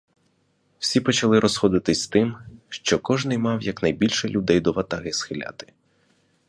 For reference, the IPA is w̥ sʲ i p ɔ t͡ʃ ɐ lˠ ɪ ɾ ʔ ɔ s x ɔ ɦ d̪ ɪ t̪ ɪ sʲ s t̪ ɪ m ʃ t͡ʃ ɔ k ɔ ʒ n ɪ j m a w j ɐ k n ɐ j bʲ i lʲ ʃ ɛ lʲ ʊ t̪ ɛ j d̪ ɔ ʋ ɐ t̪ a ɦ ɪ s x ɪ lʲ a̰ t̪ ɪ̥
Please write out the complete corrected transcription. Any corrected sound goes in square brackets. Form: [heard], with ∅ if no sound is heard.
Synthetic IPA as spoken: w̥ sʲ i p ɔ t͡ʃ ɐ lˠ ɪ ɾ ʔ ɔ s x ɔ [∅] d̪ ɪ t̪ ɪ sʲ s t̪ ɪ m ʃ t͡ʃ ɔ k ɔ ʒ n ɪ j m [ɑ] w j ɐ k n ɐ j bʲ i lʲ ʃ ɛ lʲ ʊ [d̪] ɛ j d̪ ɔ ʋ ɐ t̪ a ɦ ɪ s x ɪ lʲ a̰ t̪ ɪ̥